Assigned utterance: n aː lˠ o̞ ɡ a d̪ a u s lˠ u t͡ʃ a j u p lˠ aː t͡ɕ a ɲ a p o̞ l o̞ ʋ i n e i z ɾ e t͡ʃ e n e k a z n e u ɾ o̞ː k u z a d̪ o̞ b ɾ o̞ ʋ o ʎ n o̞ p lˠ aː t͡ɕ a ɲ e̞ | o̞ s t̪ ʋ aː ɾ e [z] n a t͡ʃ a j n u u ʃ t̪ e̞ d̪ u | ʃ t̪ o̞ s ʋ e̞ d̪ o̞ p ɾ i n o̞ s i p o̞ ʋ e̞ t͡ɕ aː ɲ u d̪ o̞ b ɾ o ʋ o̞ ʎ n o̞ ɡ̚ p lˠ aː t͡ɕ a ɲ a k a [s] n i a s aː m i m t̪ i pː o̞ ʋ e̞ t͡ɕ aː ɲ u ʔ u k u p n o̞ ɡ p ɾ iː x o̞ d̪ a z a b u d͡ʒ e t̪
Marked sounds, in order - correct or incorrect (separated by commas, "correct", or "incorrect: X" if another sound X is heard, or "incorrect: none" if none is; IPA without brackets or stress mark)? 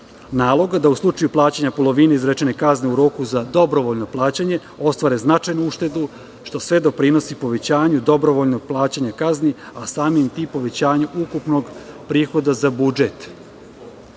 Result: correct, incorrect: z